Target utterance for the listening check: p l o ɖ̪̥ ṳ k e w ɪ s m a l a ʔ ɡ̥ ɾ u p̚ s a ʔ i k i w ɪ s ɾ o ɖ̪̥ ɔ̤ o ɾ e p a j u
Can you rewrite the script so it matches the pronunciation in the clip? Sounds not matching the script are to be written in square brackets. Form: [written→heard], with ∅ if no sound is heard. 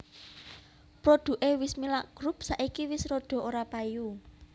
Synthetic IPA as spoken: p [l→ɾ] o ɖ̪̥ ṳ [k→ʔ] e w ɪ s m [a→i] l a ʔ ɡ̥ ɾ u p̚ s a ʔ i k i w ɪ s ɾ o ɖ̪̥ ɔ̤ o ɾ [e→a] p a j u